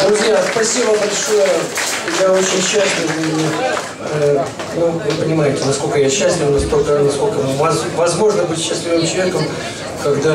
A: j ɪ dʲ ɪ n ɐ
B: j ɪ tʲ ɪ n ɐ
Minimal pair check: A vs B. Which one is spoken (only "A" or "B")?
B